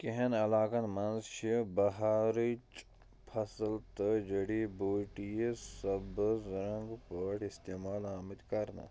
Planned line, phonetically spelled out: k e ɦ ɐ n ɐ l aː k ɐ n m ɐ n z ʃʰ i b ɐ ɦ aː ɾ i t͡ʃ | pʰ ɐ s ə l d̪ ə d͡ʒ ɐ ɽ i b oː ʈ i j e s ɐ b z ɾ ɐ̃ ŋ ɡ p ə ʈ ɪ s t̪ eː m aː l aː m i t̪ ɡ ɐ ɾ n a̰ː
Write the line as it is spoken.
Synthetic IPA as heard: k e ɦ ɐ n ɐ l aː k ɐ n m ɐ n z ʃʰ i b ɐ ɦ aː ɾ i t͡ʃ | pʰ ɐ s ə l t̪ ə d͡ʒ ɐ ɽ i b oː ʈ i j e s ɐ b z ɾ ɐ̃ ŋ ɡ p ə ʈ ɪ s t̪ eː m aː l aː m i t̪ k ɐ ɾ n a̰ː

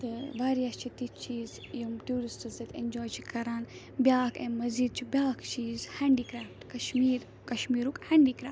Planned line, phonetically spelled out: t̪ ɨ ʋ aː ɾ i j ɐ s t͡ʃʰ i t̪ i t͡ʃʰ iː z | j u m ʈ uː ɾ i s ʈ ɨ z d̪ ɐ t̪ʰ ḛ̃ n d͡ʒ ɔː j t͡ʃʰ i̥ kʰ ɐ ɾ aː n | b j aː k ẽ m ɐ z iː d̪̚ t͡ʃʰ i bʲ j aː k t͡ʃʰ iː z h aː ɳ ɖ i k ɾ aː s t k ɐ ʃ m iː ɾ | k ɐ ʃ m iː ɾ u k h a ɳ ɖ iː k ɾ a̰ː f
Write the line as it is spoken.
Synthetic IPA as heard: t̪ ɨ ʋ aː ɾ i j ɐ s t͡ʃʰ i t̪ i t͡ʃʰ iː z | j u m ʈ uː ɾ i s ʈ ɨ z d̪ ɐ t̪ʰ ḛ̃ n d͡ʒ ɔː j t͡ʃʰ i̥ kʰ ɐ ɾ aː n | b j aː k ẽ m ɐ z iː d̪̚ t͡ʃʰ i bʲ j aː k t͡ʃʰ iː z h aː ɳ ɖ i k ɾ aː f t k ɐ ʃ m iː ɾ | k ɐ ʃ m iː ɾ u k h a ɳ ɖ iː k ɾ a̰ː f

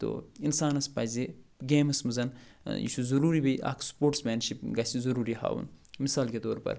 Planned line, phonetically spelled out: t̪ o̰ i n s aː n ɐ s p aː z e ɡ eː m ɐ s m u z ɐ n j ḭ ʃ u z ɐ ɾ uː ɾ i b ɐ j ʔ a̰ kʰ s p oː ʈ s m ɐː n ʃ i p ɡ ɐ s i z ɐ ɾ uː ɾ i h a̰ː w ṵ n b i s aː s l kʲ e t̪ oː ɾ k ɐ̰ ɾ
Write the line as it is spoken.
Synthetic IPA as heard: t̪ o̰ i n s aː n ɐ s p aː z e ɡ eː m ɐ s m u z ɐ n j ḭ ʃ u z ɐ ɾ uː ɾ i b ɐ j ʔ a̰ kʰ s p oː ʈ s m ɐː n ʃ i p ɡ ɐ s i z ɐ ɾ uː ɾ i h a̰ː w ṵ n m i s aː l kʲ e t̪ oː ɾ p ɐ̰ ɾ

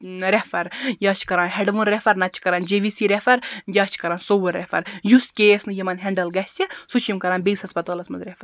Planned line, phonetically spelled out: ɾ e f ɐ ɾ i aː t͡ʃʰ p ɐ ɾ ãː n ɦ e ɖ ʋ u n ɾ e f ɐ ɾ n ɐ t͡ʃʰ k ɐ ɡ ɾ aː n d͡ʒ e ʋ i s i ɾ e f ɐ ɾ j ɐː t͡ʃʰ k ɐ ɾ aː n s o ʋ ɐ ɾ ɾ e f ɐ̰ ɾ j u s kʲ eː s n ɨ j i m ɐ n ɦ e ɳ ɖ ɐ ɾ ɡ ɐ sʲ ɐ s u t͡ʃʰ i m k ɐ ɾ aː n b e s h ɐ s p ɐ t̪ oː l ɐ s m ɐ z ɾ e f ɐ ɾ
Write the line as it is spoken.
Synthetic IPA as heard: ɾ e f ɐ ɾ j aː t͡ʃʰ k ɐ ɾ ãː n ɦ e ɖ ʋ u n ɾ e f ɐ ɾ n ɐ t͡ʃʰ k ɐ ɾ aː n d͡ʒ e ʋ i s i ɾ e f ɐ ɾ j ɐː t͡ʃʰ k ɐ ɾ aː n s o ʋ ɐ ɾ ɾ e f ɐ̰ ɾ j u s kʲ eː s n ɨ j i m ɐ n ɦ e ɳ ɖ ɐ l ɡ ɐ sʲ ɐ s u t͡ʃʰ i m k ɐ ɾ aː n b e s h ɐ s p ɐ t̪ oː l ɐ s m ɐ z ɾ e f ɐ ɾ

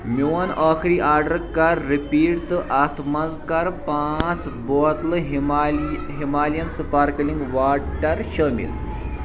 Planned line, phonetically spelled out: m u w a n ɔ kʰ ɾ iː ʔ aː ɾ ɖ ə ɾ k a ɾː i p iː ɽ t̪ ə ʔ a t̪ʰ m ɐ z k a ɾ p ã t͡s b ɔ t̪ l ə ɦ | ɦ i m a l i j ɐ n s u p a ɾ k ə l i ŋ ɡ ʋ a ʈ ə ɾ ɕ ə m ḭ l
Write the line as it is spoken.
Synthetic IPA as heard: m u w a n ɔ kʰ ɾ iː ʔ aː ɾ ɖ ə ɾ k a ɾː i p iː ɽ t̪ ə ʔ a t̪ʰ m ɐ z k a ɾ p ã t͡s b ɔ t̪ l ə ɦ | ɦ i m a l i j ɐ n s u p a ɾ k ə l i ŋ ɡ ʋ a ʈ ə ɾ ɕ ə m ḭ l

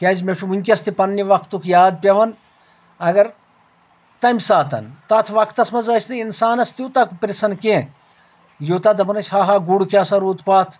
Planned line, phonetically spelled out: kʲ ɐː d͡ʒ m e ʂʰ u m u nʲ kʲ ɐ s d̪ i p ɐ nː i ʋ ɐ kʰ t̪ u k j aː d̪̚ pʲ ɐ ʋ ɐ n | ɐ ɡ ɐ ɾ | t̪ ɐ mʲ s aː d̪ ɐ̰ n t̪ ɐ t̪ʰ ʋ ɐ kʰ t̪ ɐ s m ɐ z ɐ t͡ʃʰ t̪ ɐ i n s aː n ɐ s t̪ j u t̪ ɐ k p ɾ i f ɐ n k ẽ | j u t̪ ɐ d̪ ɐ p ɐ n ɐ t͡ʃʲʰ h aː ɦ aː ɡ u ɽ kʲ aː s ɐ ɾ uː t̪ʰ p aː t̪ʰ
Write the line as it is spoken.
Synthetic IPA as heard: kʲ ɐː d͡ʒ m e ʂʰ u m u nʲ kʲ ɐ s t̪ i p ɐ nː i ʋ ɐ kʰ t̪ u k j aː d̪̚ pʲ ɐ ʋ ɐ n | ɐ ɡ ɐ ɾ | t̪ ɐ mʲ s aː t̪ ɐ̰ n t̪ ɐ t̪ʰ ʋ ɐ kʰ t̪ ɐ s m ɐ z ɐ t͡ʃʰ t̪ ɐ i n s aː n ɐ s t̪ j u t̪ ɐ k p ɾ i s ɐ n k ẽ | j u t̪ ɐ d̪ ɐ p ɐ n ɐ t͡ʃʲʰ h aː ɦ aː ɡ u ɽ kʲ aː s ɐ ɾ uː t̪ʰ p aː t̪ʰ

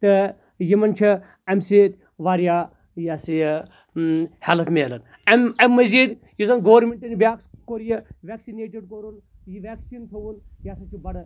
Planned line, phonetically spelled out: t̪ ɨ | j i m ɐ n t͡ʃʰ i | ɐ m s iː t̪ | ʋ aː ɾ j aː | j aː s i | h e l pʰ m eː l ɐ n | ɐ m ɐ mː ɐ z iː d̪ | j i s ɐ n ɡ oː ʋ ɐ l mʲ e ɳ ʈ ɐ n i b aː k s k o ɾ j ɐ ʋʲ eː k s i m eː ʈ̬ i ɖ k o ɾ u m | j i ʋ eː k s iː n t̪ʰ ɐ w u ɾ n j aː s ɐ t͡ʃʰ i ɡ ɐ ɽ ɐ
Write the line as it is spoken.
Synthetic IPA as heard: t̪ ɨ | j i m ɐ n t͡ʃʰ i | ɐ m s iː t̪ | ʋ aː ɾ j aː | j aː s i | h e l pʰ m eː l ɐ n | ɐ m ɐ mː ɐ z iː d̪ | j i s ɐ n ɡ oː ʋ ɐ ɾ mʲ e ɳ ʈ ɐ n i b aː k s k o ɾ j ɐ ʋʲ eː k s i n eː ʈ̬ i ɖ k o ɾ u n | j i ʋ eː k s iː n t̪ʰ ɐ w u n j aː s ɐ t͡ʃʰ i b ɐ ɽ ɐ

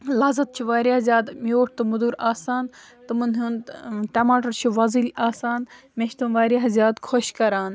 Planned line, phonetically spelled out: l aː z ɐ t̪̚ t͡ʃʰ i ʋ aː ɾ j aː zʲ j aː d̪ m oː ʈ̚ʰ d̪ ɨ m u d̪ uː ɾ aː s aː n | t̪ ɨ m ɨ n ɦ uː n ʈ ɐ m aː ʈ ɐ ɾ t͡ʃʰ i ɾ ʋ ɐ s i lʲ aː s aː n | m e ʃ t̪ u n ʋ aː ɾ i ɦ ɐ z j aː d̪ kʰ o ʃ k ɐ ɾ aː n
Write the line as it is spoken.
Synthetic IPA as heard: l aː z ɐ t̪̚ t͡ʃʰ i ʋ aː ɾ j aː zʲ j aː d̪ m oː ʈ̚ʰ t̪ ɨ m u d̪ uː ɾ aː s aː n | t̪ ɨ m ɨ n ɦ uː n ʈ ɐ m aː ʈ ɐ ɾ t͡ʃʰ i ʋ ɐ z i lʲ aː s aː n | m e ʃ t̪ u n ʋ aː ɾ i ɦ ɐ z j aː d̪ kʰ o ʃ k ɐ ɾ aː n

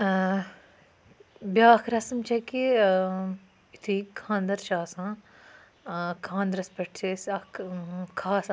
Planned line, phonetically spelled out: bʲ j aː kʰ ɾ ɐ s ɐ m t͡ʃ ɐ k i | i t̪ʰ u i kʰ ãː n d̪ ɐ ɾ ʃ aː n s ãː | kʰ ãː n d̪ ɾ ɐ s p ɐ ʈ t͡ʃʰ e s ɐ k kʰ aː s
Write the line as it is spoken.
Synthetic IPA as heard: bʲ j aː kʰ ɾ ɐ s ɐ m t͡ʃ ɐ k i | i t̪ʰ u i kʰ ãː n d̪ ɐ ɾ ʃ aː s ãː | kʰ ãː n d̪ ɾ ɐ s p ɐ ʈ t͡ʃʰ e s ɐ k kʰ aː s

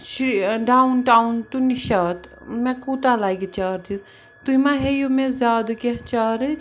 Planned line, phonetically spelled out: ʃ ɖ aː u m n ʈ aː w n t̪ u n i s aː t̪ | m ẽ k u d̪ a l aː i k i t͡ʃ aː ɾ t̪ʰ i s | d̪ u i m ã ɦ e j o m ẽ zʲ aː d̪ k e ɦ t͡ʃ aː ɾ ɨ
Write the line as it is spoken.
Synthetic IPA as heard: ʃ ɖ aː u n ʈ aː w n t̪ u n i ʃ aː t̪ | m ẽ k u t̪ a l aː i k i t͡ʃ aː ɾ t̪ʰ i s | t̪ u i m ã ɦ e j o m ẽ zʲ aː d̪ k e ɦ t͡ʃ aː ɾ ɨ

